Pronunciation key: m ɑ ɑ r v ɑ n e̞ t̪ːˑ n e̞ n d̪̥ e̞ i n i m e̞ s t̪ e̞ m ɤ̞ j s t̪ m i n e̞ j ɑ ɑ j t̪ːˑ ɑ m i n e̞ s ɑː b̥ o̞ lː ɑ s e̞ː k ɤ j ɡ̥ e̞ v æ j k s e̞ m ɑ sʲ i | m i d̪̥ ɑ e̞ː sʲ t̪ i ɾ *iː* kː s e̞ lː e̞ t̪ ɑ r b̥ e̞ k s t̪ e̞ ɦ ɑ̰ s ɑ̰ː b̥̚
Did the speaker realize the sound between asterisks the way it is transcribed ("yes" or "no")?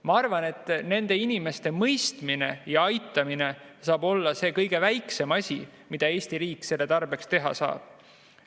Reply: yes